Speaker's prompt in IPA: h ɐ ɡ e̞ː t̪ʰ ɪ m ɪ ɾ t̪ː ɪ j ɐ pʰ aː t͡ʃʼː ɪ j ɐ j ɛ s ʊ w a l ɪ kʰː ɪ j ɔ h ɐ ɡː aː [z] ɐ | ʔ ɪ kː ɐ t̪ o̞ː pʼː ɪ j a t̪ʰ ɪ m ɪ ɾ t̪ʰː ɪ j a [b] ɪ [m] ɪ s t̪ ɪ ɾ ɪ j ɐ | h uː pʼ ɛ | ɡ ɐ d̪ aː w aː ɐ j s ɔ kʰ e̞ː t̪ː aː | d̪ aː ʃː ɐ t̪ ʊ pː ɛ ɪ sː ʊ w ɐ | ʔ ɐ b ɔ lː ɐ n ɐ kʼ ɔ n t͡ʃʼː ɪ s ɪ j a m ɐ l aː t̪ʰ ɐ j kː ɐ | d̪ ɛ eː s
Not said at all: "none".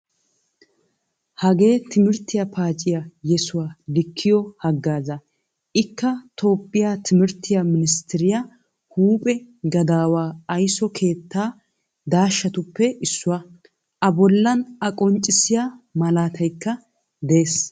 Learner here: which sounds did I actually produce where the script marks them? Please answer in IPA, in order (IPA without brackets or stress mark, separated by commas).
z, m, n